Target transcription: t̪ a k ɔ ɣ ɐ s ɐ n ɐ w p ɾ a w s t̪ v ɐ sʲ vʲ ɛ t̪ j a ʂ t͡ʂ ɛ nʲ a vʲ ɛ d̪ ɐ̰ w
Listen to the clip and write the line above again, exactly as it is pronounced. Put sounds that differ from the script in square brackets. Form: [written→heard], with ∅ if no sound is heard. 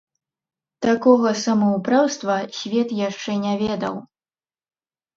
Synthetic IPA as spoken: t̪ a k ɔ ɣ ɐ s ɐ [n→m] ɐ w p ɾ a w s t̪ v ɐ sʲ vʲ ɛ t̪ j a ʂ t͡ʂ ɛ nʲ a vʲ ɛ d̪ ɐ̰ w